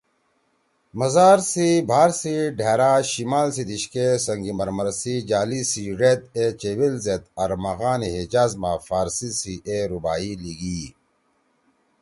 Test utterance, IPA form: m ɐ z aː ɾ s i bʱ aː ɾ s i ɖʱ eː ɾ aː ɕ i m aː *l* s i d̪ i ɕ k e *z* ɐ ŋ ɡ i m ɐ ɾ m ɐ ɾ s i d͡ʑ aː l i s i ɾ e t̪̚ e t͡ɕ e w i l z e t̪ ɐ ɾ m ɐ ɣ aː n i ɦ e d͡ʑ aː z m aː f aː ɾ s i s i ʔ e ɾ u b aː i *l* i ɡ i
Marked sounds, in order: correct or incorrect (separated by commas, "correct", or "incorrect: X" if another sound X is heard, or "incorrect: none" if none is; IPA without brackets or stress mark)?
correct, incorrect: s, correct